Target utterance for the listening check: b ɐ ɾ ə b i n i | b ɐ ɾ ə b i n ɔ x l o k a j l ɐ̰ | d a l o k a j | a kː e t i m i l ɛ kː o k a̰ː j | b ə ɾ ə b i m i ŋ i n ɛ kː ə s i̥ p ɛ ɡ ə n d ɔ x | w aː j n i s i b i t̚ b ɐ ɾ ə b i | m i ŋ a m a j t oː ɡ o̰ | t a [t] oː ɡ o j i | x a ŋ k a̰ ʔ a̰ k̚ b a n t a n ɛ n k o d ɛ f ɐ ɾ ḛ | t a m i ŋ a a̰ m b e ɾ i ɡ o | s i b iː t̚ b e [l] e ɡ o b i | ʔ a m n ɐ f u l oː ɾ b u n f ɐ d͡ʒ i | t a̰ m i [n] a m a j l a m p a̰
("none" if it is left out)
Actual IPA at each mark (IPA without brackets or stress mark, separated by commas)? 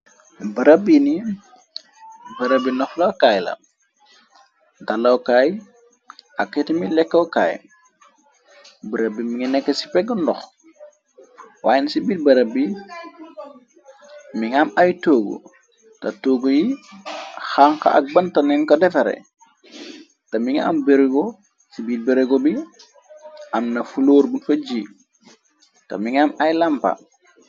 t, ɾ, ŋ